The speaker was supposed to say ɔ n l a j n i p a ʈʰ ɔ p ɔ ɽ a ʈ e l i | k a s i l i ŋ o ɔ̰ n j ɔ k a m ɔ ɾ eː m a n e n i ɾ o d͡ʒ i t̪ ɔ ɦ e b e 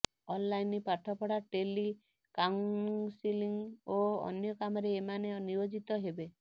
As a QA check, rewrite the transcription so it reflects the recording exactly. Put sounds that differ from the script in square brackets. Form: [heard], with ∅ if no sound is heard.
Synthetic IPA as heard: ɔ n l a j n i p a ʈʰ ɔ p ɔ ɽ a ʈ e l i | k a s i l i ŋ o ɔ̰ n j ɔ k a m ɔ ɾ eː m a n e n i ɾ o d͡ʒ i t̪ ɔ ɦ e b e